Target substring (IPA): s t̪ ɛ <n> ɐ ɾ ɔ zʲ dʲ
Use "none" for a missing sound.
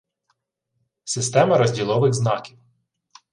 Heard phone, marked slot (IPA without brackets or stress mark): m